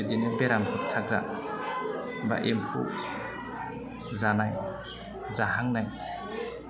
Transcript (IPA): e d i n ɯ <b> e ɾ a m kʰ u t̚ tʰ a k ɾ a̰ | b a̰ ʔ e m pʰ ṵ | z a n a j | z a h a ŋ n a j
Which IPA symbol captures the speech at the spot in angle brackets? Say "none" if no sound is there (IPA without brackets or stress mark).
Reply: b